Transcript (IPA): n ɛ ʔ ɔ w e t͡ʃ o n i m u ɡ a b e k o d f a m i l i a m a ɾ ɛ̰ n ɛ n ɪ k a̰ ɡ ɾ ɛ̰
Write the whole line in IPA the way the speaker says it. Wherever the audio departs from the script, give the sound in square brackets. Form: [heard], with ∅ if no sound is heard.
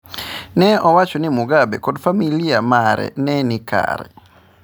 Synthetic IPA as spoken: n ɛ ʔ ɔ w [a] t͡ʃ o n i m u ɡ a b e k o d f a m i l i a m a ɾ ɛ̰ n ɛ n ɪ k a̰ [∅] ɾ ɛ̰

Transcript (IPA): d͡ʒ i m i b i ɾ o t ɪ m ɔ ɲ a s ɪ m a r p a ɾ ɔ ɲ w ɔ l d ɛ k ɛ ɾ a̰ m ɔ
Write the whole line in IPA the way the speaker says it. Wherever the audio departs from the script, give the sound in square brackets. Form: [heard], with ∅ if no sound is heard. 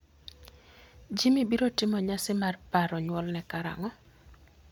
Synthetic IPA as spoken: d͡ʒ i m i b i ɾ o t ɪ m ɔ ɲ a s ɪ m a r p a ɾ ɔ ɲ w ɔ l [n] ɛ k [a] ɾ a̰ [ŋ] ɔ

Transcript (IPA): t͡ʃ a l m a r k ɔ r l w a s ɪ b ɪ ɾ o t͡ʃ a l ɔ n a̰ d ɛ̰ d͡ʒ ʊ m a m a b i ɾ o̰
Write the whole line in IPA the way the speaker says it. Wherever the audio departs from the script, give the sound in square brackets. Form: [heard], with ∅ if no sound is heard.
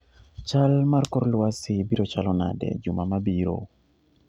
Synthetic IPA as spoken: t͡ʃ a l m a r k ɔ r l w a s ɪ b [i] ɾ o t͡ʃ a l ɔ n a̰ d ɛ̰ d͡ʒ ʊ m a m a b i ɾ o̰

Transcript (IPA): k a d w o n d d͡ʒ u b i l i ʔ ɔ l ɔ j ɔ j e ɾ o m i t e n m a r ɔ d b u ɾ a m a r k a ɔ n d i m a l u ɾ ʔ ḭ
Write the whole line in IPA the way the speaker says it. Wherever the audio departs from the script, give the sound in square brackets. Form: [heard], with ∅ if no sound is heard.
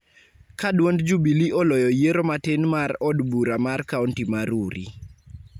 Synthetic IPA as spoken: k a d w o n d d͡ʒ u b i l i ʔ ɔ l ɔ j ɔ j e ɾ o m [a] t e n m a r ɔ d b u ɾ a m a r k a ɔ n [t] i m a [ɾ] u ɾ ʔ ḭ

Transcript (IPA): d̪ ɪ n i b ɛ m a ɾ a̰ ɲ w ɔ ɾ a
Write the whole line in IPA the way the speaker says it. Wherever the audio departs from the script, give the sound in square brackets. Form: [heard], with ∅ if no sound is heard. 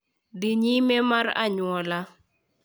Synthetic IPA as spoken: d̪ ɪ [ɲ] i [m] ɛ m a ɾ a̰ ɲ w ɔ [l] a

